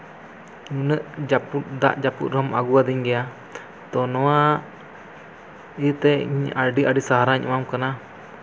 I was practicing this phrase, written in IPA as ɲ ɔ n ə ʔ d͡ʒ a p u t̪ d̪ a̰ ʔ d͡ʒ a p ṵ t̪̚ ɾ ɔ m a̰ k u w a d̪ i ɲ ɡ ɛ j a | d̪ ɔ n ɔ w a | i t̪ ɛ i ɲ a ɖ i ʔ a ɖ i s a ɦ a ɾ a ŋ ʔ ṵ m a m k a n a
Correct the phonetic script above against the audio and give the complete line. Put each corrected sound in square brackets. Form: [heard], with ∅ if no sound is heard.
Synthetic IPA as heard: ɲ [u] n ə ʔ d͡ʒ a p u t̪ d̪ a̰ ʔ d͡ʒ a p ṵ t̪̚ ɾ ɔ m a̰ [ɡ] u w a d̪ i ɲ ɡ ɛ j a | [t̪] ɔ n ɔ w a | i t̪ ɛ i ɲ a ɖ i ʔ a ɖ i s a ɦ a ɾ a [ɲ] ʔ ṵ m a m k a n a

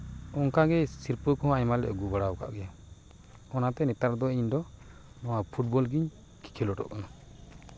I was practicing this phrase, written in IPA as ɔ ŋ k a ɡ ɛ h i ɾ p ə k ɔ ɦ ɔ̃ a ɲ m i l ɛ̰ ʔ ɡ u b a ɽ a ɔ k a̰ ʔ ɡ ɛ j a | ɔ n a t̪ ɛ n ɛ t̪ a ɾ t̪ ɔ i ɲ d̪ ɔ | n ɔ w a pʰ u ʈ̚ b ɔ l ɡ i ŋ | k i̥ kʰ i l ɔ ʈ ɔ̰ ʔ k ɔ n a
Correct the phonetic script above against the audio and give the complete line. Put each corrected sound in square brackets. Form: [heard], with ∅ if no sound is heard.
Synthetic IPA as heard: ɔ ŋ k a ɡ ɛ [s] i ɾ p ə k ɔ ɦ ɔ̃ a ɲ m [a] l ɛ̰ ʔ ɡ u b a ɽ a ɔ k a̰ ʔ ɡ ɛ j a | ɔ n a t̪ ɛ n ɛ t̪ a ɾ [d̪] ɔ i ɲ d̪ ɔ | n ɔ w a pʰ u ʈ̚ b ɔ l ɡ i [ɲ] | k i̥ kʰ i l ɔ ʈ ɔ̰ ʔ k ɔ n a

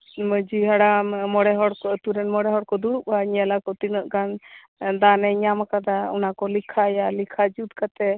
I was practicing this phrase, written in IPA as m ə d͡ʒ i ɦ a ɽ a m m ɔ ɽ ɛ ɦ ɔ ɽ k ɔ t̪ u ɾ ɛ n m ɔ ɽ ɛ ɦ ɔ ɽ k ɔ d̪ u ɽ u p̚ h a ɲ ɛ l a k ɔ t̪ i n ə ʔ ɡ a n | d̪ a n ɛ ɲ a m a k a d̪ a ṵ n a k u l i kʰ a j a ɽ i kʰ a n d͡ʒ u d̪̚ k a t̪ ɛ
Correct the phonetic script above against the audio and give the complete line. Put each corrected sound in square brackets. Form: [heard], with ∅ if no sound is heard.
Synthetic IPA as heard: m ə d͡ʒ i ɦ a ɽ a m m ɔ ɽ ɛ ɦ ɔ ɽ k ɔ t̪ u ɾ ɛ n m ɔ ɽ ɛ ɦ ɔ ɽ k ɔ d̪ u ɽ u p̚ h a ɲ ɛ l a k ɔ t̪ i n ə ʔ ɡ a n | d̪ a n ɛ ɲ a m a k a d̪ a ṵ n a k [ɔ] l i kʰ a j a [l] i kʰ a [∅] d͡ʒ u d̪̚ k a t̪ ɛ

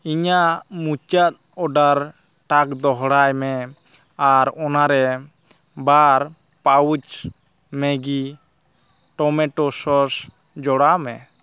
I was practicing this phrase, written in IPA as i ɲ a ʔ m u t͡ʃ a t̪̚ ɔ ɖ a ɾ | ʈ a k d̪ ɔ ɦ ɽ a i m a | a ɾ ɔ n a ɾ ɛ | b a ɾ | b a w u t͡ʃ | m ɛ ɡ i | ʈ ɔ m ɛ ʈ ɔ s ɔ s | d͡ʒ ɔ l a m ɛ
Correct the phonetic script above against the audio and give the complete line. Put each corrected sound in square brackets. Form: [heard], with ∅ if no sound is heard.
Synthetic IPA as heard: i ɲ a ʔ m u t͡ʃ a t̪̚ ɔ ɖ a ɾ | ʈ a k d̪ ɔ ɦ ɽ a [j] m [ɛ] | a ɾ ɔ n a ɾ ɛ | b a ɾ | [p] a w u t͡ʃ | m ɛ ɡ i | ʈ ɔ m ɛ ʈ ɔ s ɔ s | d͡ʒ ɔ [ɽ] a m ɛ

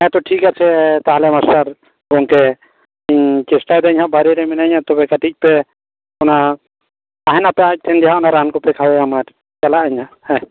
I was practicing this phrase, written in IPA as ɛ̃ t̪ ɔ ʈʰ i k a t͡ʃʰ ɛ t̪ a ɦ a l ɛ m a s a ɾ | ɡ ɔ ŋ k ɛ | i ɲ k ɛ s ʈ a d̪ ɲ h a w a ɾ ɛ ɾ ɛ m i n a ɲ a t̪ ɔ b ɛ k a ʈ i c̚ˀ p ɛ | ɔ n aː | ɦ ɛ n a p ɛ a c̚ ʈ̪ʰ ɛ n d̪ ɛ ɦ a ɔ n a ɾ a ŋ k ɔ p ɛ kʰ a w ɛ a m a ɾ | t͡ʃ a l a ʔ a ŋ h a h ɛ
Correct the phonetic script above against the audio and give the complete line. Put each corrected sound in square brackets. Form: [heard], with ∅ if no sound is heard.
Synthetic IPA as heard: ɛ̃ t̪ ɔ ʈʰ i k a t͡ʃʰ ɛ t̪ a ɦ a l ɛ m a s a ɾ | ɡ ɔ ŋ k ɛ | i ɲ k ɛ s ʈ a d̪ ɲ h a [b] a ɾ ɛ ɾ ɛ m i n a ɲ a t̪ ɔ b ɛ k a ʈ i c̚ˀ p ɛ | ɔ n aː | ɦ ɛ n a p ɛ a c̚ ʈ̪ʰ ɛ n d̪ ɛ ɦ a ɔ n a ɾ a [n] k ɔ p ɛ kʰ a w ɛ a m a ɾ | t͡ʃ a l a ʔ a [ɲ] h a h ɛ

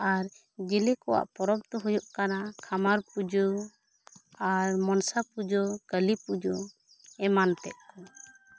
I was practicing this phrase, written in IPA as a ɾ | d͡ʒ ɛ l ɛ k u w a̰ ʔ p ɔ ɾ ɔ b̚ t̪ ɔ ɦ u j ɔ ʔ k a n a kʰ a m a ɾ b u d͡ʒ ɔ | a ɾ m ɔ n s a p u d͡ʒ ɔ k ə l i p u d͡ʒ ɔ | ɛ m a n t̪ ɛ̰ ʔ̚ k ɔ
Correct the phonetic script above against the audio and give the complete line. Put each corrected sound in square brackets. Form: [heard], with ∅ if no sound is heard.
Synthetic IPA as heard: a ɾ | d͡ʒ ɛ l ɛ k [ɔ] w a̰ ʔ p ɔ ɾ ɔ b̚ t̪ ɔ ɦ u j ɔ ʔ k a n a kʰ a m a ɾ [p] u d͡ʒ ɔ | a ɾ m ɔ n s a p u d͡ʒ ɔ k ə l i p u d͡ʒ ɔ | ɛ m a n t̪ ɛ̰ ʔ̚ k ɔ

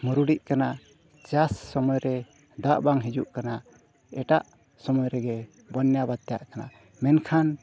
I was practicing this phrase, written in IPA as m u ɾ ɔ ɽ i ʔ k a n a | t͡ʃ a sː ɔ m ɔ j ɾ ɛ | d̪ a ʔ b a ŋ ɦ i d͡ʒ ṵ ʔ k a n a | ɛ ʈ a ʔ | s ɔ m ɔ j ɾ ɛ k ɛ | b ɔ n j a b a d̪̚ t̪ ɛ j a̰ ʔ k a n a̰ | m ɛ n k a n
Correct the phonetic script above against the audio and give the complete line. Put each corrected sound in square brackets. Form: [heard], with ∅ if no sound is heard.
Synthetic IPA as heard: m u ɾ [u] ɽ i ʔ k a n a | t͡ʃ a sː ɔ m ɔ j ɾ ɛ | d̪ a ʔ b a ŋ ɦ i d͡ʒ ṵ ʔ k a n a | ɛ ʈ a ʔ | s ɔ m ɔ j ɾ ɛ [ɡ] ɛ | b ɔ n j a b a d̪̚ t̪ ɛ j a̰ ʔ k a n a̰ | m ɛ n [kʰ] a n

